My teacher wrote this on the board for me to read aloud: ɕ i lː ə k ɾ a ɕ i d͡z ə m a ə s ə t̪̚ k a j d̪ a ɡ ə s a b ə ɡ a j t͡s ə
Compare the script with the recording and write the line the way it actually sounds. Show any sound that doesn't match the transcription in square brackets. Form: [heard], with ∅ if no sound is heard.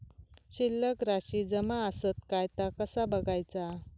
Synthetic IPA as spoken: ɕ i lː ə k ɾ a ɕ i d͡z ə m a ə s ə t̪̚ k a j [t̪] a [k] ə s a b ə ɡ a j t͡s [a]